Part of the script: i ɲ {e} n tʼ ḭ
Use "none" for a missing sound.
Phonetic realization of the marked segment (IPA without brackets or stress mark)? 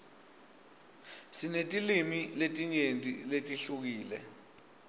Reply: e